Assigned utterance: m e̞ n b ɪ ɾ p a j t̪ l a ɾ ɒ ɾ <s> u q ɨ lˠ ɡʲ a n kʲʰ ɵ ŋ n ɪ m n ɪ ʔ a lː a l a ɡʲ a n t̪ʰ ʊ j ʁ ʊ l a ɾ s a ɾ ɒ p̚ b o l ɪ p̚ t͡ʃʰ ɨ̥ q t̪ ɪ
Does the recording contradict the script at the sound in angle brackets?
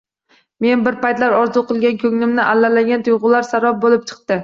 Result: yes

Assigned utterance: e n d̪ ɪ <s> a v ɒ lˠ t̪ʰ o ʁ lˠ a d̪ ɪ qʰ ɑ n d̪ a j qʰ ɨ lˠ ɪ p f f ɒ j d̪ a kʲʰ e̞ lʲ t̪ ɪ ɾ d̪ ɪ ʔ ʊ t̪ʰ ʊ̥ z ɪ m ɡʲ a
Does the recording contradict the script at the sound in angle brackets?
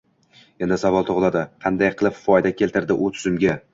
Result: no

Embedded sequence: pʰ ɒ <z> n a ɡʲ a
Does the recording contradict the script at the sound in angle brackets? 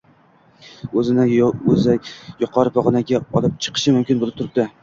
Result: yes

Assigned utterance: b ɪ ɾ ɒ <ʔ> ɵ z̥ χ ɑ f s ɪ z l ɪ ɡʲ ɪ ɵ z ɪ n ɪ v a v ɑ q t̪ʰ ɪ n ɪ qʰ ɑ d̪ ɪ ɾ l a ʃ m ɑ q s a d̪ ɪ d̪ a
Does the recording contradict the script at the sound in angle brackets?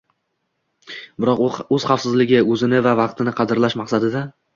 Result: yes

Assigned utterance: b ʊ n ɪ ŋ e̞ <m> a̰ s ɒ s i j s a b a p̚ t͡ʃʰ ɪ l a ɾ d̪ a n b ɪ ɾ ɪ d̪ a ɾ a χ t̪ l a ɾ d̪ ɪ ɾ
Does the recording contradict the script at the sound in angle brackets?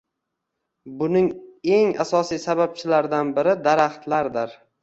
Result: yes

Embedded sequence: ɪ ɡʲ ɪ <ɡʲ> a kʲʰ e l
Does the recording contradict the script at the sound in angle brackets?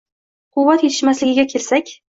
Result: no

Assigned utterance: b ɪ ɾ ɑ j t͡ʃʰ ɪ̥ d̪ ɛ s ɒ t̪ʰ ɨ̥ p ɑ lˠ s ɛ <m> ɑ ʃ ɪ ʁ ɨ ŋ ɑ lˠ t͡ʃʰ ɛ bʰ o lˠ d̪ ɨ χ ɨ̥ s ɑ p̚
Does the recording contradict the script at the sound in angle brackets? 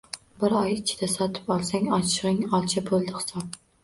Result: yes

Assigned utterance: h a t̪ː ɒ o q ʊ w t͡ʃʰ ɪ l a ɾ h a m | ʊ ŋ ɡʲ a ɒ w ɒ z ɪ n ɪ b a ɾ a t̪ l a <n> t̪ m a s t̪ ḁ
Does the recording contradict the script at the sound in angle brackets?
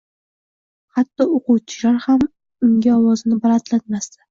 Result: yes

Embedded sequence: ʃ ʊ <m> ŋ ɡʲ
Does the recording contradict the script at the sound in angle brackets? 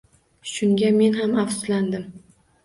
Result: yes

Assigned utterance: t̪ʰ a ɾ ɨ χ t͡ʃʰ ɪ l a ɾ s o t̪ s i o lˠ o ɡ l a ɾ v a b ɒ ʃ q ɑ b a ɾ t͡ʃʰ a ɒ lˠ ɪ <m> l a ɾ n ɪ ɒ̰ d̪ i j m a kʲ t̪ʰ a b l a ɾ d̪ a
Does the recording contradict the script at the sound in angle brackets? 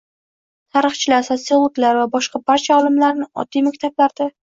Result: no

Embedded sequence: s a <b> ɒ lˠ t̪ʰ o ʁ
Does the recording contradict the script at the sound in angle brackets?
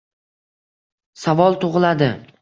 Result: yes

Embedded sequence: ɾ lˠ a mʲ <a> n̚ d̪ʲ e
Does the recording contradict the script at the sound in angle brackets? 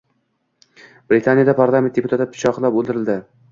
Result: yes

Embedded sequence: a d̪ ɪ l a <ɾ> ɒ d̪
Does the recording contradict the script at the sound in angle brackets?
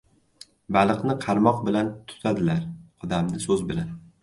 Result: no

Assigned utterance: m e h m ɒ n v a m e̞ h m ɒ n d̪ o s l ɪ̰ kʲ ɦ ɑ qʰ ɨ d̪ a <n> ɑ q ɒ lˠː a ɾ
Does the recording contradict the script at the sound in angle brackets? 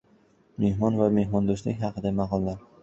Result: yes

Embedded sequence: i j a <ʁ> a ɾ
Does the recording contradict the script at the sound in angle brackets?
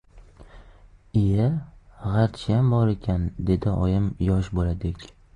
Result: no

